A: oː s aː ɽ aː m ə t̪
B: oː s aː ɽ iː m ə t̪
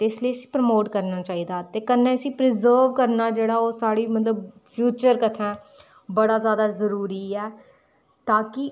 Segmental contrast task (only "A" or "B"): B